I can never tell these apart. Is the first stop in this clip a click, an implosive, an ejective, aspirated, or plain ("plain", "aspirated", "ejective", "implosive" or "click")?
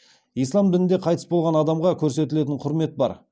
plain